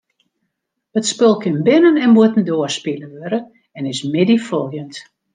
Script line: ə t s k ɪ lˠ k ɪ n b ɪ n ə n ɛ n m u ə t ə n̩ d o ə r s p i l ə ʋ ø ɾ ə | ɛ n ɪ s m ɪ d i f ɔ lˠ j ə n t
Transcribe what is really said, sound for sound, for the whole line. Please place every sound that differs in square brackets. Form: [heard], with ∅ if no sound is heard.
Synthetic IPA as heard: ə t s [p] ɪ lˠ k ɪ n b ɪ n ə n ɛ n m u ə t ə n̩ d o ə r s p i l ə ʋ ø ɾ ə | ɛ n ɪ s m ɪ d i f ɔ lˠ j ə n t